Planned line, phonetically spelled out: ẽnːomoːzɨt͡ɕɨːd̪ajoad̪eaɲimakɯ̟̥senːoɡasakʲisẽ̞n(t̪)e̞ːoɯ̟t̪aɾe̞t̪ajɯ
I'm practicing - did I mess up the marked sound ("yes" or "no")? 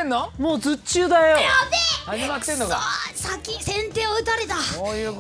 no